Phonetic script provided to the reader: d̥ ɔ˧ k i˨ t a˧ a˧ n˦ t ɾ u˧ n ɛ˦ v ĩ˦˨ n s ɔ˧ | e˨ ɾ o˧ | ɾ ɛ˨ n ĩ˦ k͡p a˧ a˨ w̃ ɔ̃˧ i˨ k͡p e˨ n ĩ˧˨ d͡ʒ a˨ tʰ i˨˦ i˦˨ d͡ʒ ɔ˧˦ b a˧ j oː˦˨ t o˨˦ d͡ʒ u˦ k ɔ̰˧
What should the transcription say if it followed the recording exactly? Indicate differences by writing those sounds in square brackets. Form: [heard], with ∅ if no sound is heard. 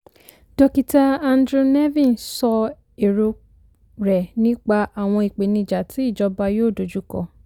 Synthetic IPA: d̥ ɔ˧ k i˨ t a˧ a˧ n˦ [d] ɾ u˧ n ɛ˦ v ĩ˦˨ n s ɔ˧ | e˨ ɾ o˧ | ɾ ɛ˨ n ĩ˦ k͡p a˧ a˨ w̃ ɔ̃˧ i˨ k͡p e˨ n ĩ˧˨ d͡ʒ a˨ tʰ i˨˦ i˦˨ d͡ʒ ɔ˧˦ b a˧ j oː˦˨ [d] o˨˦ d͡ʒ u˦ k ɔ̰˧